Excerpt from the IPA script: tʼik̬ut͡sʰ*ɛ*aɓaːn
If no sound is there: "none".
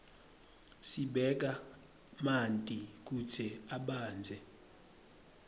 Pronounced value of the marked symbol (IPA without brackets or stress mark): ɛ